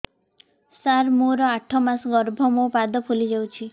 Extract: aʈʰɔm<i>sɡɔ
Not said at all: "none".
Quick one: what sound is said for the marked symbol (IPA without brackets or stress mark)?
a